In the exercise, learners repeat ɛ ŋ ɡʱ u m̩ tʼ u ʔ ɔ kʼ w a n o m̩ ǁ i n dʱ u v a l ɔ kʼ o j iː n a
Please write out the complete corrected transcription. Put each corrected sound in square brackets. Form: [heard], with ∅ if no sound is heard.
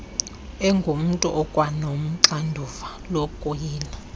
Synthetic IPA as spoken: ɛ ŋ ɡʱ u m̩ tʼ u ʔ ɔ kʼ w a n o m̩ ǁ [a] n dʱ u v a l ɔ kʼ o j iː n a